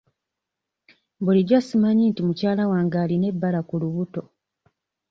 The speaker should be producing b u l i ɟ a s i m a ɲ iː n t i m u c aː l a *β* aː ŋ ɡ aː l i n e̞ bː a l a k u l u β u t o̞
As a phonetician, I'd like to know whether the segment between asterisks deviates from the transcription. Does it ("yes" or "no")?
yes